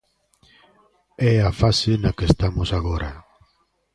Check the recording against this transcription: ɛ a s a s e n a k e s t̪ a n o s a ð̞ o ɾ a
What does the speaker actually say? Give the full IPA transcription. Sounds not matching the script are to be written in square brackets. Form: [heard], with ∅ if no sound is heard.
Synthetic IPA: ɛ a [f] a s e n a k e s t̪ a [m] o s a [ɣ̞] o ɾ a